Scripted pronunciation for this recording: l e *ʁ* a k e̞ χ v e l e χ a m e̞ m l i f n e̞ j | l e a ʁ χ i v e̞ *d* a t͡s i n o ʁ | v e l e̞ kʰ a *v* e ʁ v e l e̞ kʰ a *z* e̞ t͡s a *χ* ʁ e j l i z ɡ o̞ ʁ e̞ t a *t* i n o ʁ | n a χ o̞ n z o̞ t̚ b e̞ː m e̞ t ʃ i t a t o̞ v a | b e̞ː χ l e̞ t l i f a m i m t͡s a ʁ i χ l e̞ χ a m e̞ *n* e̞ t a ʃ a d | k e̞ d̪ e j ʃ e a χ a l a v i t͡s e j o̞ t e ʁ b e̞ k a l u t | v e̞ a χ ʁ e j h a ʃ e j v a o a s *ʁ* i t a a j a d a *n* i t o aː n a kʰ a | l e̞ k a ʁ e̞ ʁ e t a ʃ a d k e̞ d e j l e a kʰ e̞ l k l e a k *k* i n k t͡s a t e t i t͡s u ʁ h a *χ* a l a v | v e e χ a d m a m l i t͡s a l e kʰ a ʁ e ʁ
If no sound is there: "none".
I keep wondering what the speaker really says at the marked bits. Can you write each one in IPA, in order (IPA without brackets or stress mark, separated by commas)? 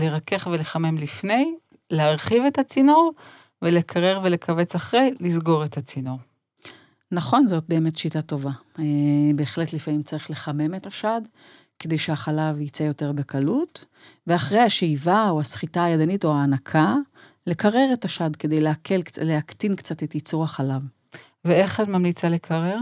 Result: ʁ, t, ʁ, v, χ, t͡s, m, χ, n, t, χ